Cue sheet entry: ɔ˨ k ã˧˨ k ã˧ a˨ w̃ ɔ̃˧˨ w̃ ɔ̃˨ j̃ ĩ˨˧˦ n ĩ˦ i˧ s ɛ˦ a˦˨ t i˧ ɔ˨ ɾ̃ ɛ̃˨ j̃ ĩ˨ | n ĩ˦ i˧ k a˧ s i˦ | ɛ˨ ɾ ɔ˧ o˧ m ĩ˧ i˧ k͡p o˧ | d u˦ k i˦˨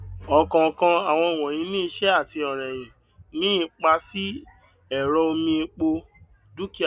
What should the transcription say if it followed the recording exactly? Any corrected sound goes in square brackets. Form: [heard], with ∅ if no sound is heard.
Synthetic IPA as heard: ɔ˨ k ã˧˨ k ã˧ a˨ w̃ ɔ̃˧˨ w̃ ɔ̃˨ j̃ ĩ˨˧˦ n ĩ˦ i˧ [ʃ] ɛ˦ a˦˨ t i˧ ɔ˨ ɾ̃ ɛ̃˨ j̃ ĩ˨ | n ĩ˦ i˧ [k͡p] a˧ s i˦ | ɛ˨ ɾ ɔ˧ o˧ m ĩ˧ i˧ k͡p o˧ | d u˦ k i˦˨